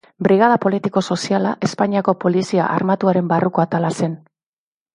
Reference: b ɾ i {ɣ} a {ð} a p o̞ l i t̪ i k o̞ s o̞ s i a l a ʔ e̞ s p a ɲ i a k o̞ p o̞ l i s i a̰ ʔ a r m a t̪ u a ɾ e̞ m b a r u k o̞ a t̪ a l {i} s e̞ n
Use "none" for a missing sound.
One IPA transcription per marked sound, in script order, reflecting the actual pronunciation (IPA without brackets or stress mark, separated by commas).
ɣ, ð, a